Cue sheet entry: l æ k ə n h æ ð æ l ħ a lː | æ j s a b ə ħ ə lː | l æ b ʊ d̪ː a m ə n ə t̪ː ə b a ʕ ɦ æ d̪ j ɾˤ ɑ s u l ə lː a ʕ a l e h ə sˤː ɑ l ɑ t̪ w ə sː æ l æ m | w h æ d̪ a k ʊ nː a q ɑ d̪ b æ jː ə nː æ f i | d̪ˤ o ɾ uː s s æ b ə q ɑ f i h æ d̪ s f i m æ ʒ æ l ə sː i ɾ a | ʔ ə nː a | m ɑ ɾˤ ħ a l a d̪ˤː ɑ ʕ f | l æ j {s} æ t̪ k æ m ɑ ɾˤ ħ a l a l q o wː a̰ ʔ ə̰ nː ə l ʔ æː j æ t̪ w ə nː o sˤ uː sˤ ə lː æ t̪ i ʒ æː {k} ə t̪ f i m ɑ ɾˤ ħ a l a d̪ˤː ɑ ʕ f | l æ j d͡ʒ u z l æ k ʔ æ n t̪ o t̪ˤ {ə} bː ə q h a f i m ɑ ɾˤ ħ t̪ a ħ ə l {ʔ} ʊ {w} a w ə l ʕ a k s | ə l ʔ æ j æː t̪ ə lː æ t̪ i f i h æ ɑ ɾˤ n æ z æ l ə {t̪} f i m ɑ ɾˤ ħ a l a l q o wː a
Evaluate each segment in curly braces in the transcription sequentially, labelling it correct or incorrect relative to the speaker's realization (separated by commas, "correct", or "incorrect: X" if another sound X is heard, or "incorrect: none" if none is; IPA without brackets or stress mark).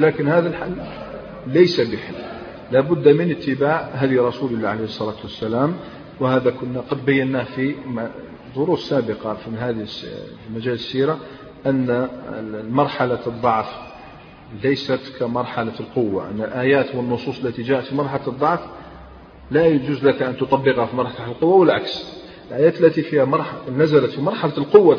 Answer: correct, incorrect: ʔ, incorrect: ɑ, incorrect: q, incorrect: wː, correct